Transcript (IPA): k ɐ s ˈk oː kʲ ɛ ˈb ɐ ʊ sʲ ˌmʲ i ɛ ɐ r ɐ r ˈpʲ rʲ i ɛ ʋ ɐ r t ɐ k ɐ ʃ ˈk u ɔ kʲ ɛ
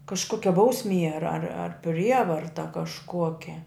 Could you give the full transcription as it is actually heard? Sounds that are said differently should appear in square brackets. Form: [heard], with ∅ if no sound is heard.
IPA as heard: k ɐ [ʃ] ˈk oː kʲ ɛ ˈb ɐ ʊ sʲ ˌmʲ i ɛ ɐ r ɐ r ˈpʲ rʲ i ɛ ʋ ɐ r t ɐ k ɐ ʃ ˈk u ɔ kʲ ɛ